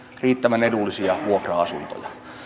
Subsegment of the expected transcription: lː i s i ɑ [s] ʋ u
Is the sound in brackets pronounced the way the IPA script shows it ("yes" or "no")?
no